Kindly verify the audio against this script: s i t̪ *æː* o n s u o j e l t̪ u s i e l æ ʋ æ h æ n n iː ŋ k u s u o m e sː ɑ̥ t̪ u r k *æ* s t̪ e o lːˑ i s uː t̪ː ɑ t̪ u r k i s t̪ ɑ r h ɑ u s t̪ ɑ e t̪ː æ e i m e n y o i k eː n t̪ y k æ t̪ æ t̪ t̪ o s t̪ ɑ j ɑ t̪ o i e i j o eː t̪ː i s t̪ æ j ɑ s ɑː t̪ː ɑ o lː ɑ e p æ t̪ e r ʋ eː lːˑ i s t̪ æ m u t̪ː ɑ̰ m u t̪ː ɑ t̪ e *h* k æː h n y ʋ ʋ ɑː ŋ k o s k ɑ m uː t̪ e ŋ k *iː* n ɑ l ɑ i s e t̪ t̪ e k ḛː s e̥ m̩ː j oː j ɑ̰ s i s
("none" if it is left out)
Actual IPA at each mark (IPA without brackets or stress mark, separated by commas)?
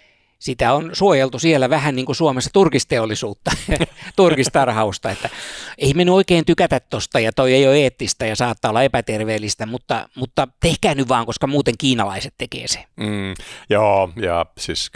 æ, i, h, iː